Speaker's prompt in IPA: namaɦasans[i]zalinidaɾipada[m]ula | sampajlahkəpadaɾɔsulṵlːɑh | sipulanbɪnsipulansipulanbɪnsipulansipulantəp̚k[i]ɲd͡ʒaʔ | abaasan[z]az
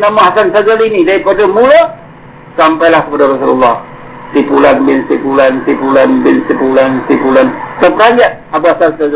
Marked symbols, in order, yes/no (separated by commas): no, yes, no, no